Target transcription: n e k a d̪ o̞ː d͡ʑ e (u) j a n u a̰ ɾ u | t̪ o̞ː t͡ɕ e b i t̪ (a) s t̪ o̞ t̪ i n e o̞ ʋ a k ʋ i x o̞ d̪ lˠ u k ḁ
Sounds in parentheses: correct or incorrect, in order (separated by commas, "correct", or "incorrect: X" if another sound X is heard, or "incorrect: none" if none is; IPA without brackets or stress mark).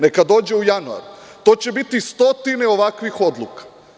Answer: correct, incorrect: i